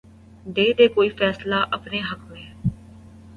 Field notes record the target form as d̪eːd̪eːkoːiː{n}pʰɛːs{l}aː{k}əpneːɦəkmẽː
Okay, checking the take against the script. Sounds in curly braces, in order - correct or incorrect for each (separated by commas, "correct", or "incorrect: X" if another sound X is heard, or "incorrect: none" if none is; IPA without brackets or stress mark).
incorrect: none, correct, incorrect: ʔ